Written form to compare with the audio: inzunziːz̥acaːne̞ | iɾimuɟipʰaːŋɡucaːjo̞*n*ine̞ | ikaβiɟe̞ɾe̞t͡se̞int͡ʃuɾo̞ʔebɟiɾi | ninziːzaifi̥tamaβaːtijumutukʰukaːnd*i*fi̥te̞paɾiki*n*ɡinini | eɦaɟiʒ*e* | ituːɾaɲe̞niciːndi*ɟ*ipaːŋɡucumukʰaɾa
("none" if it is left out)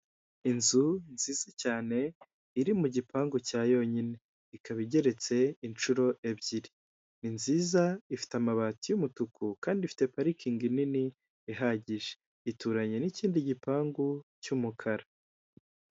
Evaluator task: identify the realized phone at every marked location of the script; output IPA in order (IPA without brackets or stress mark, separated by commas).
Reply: ɲ, i, ŋ, e, ɟ